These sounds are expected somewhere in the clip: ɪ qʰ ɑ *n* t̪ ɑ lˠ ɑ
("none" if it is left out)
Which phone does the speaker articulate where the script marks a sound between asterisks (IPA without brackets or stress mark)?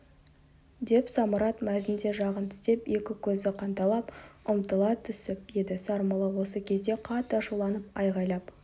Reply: n